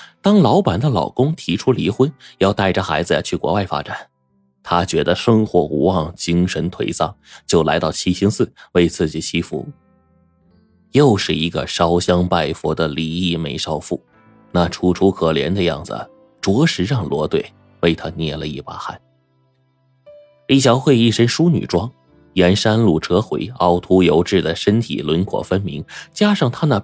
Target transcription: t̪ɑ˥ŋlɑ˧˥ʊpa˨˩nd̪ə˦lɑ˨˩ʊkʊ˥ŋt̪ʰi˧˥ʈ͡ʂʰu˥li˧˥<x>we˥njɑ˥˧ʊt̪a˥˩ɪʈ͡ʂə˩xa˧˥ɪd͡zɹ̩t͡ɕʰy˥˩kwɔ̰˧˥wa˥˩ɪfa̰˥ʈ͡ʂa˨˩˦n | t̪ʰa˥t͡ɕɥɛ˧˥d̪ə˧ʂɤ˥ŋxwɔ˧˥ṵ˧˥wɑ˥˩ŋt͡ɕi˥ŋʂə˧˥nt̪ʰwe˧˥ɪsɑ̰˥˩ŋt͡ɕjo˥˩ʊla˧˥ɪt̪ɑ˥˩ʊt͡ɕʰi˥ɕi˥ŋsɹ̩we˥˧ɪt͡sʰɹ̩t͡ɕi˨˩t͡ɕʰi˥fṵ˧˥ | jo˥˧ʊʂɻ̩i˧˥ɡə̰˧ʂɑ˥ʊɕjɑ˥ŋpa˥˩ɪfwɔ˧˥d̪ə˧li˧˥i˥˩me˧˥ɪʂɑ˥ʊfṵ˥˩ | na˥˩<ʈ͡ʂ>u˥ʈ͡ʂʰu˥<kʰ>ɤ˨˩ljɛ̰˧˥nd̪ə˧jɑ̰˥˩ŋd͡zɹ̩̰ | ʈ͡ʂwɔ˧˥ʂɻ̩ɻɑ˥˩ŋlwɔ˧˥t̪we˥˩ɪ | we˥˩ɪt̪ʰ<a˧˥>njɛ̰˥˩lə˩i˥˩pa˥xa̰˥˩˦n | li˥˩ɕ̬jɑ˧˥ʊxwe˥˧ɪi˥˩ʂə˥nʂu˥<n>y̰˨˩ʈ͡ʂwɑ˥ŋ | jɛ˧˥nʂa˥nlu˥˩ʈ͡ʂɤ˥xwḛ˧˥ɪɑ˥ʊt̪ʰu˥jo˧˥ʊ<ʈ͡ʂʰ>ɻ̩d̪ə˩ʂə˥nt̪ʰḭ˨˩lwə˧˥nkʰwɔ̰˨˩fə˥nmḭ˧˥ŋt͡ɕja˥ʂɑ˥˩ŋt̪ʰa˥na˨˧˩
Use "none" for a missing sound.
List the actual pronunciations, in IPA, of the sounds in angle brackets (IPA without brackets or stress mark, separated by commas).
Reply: x, ʈ͡ʂʰ, kʰ, a˥, n, ʈ͡ʂ